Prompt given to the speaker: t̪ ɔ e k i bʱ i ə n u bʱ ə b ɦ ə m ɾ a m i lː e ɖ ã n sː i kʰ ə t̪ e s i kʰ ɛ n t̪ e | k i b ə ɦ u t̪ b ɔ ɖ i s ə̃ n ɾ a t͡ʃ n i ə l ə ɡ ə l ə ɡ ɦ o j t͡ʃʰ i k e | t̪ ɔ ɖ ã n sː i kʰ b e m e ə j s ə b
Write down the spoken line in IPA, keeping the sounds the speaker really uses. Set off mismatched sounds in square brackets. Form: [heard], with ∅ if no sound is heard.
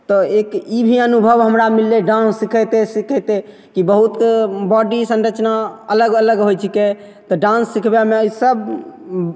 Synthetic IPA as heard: t̪ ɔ e k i bʱ i ə n u bʱ ə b ɦ ə m ɾ a m i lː e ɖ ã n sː i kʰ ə t̪ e s i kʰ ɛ [∅] t̪ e | k i b ə ɦ u t̪ b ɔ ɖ i s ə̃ n ɾ [ə] t͡ʃ n [a] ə l ə ɡ ə l ə ɡ ɦ o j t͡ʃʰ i k e | t̪ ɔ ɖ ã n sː i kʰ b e m e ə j s ə b